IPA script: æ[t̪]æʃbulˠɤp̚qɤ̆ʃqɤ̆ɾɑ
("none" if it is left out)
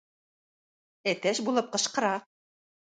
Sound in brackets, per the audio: t̪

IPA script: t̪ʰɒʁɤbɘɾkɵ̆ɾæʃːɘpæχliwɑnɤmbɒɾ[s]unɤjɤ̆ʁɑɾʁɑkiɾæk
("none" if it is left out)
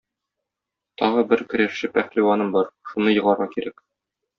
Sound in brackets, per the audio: ʃ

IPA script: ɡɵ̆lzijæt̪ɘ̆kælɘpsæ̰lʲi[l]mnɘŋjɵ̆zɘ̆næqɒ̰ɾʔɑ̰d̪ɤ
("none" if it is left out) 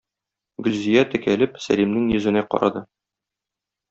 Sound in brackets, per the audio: none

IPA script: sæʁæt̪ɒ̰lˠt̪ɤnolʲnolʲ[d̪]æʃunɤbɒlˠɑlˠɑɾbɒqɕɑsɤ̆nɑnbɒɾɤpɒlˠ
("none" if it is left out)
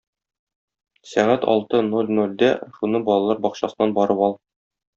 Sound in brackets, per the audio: d̪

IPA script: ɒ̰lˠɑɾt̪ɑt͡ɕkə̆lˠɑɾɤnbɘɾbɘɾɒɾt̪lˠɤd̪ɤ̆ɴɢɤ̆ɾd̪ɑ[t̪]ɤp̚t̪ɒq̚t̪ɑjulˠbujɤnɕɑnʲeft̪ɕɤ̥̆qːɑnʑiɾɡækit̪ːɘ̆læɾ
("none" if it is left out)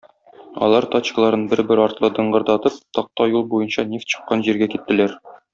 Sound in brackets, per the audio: t̪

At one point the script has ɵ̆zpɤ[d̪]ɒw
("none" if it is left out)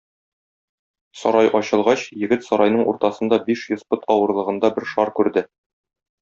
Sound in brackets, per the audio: t̪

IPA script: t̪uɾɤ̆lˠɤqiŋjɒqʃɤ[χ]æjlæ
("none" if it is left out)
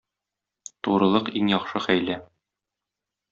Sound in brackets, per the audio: χ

